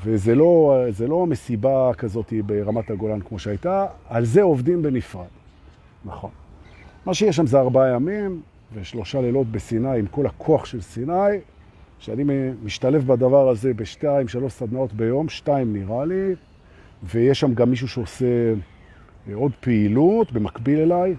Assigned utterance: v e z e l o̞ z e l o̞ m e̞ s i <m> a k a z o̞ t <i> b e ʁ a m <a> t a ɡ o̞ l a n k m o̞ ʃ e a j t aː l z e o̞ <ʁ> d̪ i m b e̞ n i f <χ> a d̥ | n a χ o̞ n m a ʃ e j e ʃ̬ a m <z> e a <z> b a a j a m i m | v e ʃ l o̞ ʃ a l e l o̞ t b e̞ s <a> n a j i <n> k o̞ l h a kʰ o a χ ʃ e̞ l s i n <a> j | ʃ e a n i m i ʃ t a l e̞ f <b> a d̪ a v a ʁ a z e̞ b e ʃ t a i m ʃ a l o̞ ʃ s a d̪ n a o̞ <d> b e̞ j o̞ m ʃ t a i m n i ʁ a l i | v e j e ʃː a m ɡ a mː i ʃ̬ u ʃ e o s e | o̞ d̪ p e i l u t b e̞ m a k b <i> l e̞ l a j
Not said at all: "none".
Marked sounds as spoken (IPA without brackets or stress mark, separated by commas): b, i, a, v, ʁ, z, ʁ, i, m, a, b, t, i